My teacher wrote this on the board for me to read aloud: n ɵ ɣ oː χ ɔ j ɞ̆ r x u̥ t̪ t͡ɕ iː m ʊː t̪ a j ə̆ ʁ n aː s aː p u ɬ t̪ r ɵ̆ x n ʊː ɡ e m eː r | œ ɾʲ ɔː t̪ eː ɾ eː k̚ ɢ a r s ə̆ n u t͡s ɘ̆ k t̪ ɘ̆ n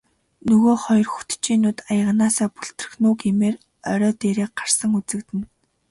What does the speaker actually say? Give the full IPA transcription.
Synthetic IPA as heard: n ɵ ɣ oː χ ɔ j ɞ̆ r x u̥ t̪ t͡ɕ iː n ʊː t̪ a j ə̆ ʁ n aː s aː p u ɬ t̪ r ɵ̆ x n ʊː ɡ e m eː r | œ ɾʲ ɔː t̪ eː ɾ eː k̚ ɢ a r s ə̆ ŋ u t͡s ɘ̆ k t̪ ɘ̆ n